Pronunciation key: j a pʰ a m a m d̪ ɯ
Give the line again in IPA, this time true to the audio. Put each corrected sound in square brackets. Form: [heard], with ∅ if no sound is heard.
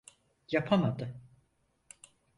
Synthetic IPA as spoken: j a pʰ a m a [∅] d̪ ɯ